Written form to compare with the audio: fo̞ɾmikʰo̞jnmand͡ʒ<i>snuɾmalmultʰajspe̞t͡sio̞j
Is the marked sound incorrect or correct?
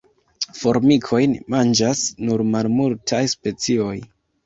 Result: incorrect